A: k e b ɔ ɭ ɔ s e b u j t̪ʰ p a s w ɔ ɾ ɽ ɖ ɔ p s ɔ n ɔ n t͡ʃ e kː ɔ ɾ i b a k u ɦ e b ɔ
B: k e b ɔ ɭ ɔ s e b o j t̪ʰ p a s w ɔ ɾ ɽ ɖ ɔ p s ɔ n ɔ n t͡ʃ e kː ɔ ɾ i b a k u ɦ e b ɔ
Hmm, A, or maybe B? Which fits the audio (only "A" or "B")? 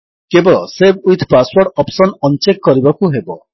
A